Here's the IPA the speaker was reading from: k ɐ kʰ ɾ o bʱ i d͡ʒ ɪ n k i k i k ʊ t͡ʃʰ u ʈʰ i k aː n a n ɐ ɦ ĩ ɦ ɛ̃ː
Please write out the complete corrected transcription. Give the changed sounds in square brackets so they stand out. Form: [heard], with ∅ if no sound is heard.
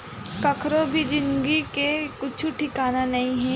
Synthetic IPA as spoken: k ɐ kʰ ɾ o bʱ i d͡ʒ ɪ n [ɡ] i k [e] k ʊ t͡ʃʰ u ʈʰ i k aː n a n ɐ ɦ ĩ ɦ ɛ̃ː